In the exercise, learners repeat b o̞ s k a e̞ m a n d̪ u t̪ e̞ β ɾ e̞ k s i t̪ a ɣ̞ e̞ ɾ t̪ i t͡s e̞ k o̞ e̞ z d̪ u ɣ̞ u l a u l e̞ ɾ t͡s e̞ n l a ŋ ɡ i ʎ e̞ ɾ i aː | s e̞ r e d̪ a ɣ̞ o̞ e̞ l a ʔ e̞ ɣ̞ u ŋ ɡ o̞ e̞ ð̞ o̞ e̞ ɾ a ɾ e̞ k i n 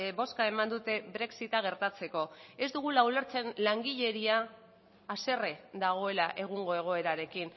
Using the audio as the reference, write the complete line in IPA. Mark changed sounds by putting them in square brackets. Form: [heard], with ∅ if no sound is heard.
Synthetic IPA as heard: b o̞ s k a e̞ m a n d̪ u t̪ e̞ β ɾ e̞ k s i t̪ a ɣ̞ e̞ ɾ t̪ [a] t͡s e̞ k o̞ e̞ z d̪ u ɣ̞ u l a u l e̞ ɾ t͡s e̞ n l a ŋ ɡ i ʎ e̞ ɾ i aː | s e̞ r e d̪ a ɣ̞ o̞ e̞ l a ʔ e̞ ɣ̞ u ŋ ɡ o̞ e̞ [ɣ̞] o̞ e̞ ɾ a ɾ e̞ k i n